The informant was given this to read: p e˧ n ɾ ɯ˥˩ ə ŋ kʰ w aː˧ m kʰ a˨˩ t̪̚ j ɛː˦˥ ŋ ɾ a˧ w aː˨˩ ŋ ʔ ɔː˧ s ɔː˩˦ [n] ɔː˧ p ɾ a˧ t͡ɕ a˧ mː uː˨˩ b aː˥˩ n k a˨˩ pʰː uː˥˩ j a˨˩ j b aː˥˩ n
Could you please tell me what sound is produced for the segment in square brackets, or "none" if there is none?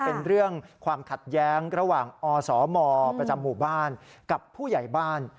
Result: m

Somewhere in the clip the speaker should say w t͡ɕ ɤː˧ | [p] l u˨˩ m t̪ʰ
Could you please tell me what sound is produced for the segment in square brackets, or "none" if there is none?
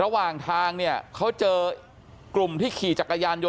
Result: k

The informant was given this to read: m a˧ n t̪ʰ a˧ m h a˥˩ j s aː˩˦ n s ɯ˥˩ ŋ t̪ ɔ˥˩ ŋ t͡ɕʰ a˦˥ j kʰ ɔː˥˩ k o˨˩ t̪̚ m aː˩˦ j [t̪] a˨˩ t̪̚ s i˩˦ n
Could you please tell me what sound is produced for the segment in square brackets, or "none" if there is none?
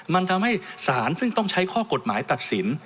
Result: t̪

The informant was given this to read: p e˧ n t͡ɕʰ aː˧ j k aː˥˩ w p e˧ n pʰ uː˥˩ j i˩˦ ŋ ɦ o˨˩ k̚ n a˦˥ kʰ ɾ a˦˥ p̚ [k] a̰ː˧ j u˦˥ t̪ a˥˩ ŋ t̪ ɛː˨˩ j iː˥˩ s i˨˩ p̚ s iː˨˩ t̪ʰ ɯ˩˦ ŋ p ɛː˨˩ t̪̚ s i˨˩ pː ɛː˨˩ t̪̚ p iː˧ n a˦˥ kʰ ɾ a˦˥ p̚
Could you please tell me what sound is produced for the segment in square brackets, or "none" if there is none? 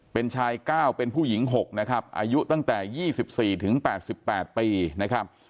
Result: ʔ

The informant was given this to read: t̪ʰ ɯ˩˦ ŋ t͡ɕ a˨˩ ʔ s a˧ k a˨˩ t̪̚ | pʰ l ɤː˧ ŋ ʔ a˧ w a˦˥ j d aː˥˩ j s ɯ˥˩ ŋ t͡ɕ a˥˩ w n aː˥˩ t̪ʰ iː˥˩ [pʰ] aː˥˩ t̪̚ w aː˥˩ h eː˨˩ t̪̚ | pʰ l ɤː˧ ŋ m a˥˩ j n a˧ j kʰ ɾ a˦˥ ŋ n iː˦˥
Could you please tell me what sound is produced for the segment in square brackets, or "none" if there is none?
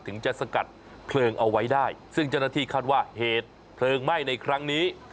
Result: kʰ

